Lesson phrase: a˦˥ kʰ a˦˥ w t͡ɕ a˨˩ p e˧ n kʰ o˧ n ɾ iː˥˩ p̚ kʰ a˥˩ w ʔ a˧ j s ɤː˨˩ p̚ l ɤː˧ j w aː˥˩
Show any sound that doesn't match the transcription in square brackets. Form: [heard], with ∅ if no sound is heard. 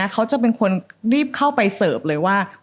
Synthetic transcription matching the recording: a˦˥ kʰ a˦˥ w t͡ɕ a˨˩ p e˧ n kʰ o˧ n ɾ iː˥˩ p̚ kʰ a˥˩ w [p] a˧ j s ɤː˨˩ p̚ l ɤː˧ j w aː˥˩

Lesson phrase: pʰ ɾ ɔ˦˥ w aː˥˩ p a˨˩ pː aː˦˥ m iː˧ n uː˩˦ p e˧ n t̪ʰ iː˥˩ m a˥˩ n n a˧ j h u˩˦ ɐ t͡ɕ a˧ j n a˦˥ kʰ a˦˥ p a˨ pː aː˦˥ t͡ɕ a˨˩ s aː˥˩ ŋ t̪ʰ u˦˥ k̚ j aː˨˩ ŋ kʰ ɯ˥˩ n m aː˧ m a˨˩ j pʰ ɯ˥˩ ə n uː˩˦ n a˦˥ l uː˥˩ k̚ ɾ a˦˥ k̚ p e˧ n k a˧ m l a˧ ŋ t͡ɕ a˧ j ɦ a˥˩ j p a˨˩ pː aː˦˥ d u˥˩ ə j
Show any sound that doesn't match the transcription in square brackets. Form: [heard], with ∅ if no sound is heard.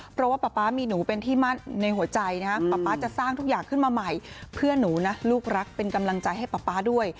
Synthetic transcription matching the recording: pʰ ɾ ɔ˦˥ w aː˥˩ p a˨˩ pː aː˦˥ m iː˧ n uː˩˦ p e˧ n t̪ʰ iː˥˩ m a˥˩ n n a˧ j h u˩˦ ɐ t͡ɕ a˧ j n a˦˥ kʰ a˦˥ p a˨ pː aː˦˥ t͡ɕ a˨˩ s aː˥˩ ŋ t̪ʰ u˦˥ k̚ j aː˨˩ ŋ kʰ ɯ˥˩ n m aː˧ m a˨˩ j pʰ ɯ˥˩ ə n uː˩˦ n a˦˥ l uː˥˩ k̚ ɾ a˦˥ k̚ p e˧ n k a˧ m l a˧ ŋ t͡ɕ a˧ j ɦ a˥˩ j p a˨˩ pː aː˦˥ d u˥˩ ə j

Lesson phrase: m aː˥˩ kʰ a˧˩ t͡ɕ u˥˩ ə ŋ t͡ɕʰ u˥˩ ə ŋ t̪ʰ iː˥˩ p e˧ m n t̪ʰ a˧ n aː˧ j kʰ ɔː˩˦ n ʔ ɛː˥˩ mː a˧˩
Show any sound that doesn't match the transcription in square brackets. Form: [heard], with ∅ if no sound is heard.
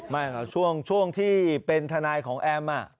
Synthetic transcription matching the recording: m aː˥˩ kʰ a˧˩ [t͡ɕʰ] u˥˩ ə ŋ t͡ɕʰ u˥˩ ə ŋ t̪ʰ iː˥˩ p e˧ [∅] n t̪ʰ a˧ n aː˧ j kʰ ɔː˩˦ [ŋ] ʔ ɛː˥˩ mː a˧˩

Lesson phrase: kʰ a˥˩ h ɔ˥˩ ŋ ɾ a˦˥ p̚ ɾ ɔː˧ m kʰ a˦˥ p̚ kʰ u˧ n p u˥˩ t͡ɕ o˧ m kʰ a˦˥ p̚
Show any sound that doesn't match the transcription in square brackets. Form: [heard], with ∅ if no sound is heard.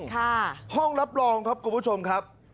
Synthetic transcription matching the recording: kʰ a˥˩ h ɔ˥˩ ŋ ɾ a˦˥ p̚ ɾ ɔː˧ [ŋ] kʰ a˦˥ p̚ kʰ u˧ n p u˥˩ [t͡ɕʰ] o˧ m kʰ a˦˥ p̚

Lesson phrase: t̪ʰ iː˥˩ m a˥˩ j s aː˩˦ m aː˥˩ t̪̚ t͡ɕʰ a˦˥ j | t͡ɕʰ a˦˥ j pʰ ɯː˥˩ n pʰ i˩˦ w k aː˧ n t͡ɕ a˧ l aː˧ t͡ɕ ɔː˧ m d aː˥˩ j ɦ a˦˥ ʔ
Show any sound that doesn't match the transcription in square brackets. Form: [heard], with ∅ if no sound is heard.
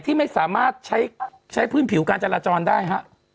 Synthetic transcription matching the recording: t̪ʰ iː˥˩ m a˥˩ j s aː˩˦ m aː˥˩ t̪̚ t͡ɕʰ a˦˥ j | t͡ɕʰ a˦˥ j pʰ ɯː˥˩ n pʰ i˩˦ w k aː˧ n t͡ɕ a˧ l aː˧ t͡ɕ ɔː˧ [n] d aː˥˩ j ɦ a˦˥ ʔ

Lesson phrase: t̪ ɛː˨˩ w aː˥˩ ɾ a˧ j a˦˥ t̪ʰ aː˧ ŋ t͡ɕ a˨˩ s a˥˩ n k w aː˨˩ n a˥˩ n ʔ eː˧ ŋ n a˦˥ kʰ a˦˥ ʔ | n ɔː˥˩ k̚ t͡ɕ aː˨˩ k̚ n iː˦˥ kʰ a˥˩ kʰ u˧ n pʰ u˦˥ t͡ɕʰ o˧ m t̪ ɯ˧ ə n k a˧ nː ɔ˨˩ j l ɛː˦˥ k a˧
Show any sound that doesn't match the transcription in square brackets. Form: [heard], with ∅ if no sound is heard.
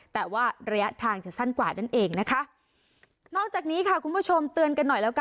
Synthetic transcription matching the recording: t̪ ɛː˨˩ w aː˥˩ ɾ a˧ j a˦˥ t̪ʰ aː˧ ŋ t͡ɕ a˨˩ s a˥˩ n k w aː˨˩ n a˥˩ n ʔ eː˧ ŋ n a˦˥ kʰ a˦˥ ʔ | n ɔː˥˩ k̚ t͡ɕ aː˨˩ k̚ n iː˦˥ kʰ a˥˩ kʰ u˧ n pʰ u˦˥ t͡ɕʰ o˧ m t̪ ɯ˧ ə n k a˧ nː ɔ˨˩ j l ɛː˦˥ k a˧

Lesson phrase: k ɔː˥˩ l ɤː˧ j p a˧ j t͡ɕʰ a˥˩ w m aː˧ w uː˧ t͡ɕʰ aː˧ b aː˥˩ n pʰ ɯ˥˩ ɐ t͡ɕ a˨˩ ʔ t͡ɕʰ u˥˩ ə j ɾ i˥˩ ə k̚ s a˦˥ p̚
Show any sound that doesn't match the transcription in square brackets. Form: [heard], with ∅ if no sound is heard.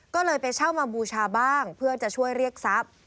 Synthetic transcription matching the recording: k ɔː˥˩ l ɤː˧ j p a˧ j t͡ɕʰ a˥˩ w m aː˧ [b] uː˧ t͡ɕʰ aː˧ b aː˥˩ [ŋ] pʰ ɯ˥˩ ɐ t͡ɕ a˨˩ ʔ t͡ɕʰ u˥˩ ə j ɾ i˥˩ ə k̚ s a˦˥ p̚

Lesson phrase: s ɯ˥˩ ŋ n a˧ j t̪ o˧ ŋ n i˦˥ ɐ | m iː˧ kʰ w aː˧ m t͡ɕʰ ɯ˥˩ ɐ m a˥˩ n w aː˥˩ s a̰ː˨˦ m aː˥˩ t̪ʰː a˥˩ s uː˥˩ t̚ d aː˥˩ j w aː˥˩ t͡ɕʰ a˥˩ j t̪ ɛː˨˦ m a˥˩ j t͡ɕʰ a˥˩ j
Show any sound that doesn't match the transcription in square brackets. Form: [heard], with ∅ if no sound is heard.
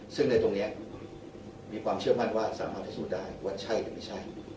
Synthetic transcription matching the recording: s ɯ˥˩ ŋ n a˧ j t̪ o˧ ŋ n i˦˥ ɐ | m iː˧ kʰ w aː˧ m t͡ɕʰ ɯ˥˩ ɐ m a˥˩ n w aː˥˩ s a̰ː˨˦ m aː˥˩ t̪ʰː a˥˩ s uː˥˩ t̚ d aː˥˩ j w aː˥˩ t͡ɕʰ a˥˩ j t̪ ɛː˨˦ m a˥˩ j t͡ɕʰ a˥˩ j

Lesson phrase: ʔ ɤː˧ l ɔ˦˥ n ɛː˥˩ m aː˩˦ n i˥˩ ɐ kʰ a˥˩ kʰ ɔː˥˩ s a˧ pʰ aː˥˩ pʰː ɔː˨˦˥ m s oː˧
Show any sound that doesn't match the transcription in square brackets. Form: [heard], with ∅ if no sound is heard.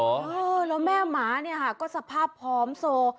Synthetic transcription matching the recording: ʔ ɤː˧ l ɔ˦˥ [m] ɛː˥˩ m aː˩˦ n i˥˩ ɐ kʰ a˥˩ [k] ɔː˥˩ s a˧ pʰ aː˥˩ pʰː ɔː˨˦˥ m s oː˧

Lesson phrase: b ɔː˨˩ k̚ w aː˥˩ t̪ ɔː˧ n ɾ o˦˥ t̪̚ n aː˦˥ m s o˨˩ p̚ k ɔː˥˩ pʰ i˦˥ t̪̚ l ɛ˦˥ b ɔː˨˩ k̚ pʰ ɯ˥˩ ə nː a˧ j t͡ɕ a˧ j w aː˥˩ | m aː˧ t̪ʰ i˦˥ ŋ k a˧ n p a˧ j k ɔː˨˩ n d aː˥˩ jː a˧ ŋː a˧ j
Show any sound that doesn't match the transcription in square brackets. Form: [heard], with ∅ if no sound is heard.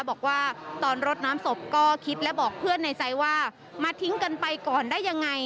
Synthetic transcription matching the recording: b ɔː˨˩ k̚ w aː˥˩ t̪ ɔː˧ n ɾ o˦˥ t̪̚ n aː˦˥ m s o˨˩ p̚ k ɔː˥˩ [kʰ] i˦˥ t̪̚ l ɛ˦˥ b ɔː˨˩ k̚ pʰ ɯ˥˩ ə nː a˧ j t͡ɕ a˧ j w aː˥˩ | m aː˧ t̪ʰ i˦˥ ŋ k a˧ n p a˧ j k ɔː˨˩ n d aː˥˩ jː a˧ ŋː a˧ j

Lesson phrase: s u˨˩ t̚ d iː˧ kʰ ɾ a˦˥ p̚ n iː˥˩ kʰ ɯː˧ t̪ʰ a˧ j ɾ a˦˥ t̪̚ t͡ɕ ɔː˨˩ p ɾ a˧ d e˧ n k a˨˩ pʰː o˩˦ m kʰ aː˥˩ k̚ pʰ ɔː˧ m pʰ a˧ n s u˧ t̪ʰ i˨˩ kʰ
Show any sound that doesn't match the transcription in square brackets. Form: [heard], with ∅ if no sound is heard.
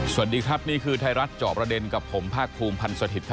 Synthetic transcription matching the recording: s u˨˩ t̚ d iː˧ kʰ ɾ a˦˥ p̚ n iː˥˩ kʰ ɯː˧ t̪ʰ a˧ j ɾ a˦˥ t̪̚ t͡ɕ ɔː˨˩ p ɾ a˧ d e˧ n k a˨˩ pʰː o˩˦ m [pʰ] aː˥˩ k̚ pʰ [uː˧] m pʰ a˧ n s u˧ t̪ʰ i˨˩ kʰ

